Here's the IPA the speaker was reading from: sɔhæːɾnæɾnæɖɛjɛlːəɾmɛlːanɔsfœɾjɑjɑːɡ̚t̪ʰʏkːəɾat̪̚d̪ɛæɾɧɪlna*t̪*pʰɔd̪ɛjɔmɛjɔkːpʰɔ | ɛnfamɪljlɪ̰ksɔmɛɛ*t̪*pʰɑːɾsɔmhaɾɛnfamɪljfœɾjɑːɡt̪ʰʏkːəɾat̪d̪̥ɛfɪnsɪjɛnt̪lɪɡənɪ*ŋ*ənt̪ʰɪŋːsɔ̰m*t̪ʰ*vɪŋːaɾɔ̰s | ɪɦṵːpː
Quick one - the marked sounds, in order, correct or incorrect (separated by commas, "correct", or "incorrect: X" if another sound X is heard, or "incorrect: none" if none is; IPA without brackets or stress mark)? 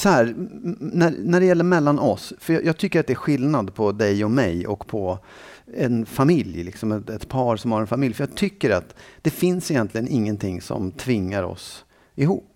incorrect: d̪, correct, incorrect: ŋː, correct